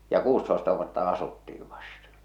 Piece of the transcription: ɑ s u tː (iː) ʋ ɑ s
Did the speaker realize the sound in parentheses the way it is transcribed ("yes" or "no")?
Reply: yes